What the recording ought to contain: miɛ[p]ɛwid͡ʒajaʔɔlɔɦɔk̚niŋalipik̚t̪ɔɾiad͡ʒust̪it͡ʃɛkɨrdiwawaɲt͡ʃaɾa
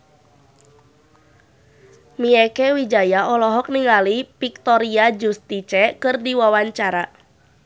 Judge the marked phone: incorrect: k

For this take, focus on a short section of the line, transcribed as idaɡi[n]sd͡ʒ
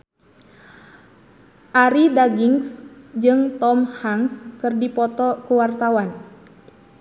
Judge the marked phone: incorrect: ŋ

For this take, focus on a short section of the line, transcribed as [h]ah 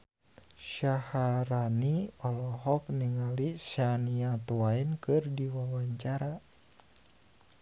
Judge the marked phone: incorrect: ʃ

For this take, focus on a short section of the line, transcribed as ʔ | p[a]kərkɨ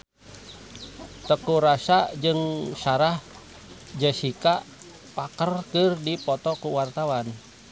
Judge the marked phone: correct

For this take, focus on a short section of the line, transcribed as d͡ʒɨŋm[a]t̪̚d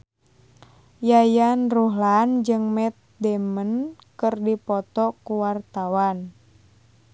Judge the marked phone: incorrect: ɛ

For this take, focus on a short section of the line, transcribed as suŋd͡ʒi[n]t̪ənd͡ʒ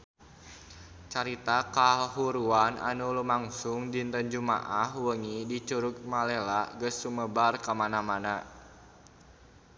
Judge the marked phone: correct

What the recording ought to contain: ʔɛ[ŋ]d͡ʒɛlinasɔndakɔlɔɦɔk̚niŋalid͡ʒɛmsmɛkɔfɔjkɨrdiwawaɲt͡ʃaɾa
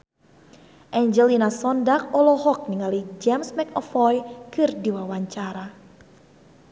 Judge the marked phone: incorrect: ɲ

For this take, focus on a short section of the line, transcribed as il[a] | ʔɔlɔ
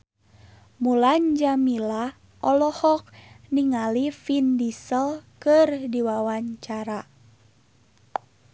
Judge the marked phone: correct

